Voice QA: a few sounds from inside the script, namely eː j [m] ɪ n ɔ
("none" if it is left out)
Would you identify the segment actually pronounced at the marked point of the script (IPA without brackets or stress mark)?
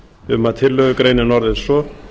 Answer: n